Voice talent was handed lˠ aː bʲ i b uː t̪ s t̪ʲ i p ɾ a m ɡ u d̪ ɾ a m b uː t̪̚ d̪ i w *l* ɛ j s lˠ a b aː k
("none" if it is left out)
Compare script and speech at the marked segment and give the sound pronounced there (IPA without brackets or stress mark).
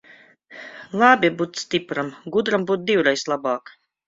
ɾ